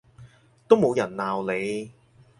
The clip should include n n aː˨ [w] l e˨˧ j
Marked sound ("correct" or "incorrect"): correct